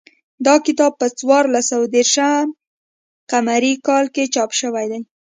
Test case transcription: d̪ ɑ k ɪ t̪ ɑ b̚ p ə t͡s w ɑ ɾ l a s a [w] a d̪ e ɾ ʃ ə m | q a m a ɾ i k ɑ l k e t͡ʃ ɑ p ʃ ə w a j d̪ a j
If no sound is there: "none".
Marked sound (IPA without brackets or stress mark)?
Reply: w